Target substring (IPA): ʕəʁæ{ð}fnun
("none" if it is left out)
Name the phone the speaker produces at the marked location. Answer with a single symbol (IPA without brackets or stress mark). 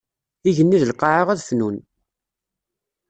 ð